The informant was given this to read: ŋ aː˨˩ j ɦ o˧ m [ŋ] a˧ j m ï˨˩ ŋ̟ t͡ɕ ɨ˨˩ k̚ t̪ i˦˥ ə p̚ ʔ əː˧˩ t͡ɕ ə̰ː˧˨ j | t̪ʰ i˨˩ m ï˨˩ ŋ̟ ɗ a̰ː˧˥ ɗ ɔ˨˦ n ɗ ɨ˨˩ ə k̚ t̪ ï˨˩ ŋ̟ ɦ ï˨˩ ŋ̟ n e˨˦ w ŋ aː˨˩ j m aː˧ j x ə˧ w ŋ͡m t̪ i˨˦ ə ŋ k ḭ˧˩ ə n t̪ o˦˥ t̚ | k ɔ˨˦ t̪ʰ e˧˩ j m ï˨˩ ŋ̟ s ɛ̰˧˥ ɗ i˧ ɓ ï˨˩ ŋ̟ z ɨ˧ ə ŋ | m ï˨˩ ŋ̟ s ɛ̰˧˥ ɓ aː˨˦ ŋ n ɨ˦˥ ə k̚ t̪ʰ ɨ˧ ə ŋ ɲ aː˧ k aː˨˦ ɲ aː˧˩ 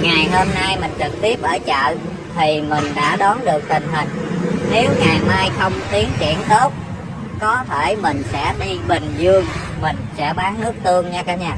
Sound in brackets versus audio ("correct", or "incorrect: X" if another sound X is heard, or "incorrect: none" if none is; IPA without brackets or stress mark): incorrect: n